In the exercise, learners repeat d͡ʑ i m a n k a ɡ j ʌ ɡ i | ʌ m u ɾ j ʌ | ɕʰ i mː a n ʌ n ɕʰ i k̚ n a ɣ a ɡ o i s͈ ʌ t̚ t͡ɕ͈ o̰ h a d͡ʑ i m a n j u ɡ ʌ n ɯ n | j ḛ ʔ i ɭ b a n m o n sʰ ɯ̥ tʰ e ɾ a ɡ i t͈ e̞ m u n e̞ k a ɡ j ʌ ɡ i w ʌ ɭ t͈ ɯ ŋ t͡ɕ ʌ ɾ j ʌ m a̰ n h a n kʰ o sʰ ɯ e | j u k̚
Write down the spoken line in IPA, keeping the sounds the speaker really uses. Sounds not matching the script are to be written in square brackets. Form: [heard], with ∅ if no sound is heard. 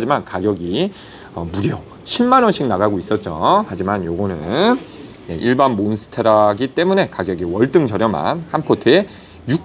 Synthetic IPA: d͡ʑ i m a n k a ɡ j ʌ ɡ i | ʌ m u ɾ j ʌ | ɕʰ i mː a n ʌ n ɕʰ i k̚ n a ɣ a ɡ o i s͈ ʌ t̚ t͡ɕ͈ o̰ h a d͡ʑ i m a n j [o] ɡ ʌ n ɯ n | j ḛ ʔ i ɭ b a n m o n sʰ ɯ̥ tʰ e ɾ a ɡ i t͈ e̞ m u n e̞ k a ɡ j ʌ ɡ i w ʌ ɭ t͈ ɯ ŋ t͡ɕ ʌ ɾ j ʌ m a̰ n h a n [pʰ] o [tʰ] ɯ e | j u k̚